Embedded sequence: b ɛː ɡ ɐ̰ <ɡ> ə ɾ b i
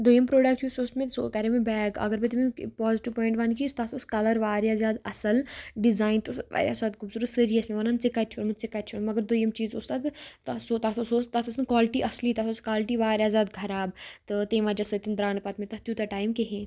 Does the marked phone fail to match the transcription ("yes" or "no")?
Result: no